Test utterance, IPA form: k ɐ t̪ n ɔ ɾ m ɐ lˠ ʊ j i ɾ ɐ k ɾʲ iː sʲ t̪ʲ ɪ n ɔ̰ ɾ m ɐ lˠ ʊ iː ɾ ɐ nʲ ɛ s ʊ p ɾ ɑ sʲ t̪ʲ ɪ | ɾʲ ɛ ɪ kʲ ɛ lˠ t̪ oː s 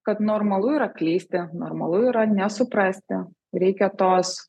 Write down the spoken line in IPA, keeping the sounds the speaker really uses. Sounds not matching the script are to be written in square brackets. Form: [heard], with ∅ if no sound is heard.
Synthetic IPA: k ɐ t̪ n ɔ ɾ m ɐ lˠ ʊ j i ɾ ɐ k [lʲ] iː sʲ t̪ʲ ɪ n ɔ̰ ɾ m ɐ lˠ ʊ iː ɾ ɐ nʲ ɛ s ʊ p ɾ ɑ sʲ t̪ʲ ɪ | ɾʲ ɛ ɪ kʲ ɛ [∅] t̪ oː s